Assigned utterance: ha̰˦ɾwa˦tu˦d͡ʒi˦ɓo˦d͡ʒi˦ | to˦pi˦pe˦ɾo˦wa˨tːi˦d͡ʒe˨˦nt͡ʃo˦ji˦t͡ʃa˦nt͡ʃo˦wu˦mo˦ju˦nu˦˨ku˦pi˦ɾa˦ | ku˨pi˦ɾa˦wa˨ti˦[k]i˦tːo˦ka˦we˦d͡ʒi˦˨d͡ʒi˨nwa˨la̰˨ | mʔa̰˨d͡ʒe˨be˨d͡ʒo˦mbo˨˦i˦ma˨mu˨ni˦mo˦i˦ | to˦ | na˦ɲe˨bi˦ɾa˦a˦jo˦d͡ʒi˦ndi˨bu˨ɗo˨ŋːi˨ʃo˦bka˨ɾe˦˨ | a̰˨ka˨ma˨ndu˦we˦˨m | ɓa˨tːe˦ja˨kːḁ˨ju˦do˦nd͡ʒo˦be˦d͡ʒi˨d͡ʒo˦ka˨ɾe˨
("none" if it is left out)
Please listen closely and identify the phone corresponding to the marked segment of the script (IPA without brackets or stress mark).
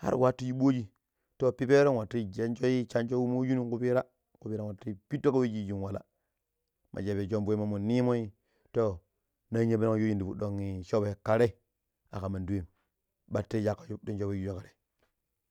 p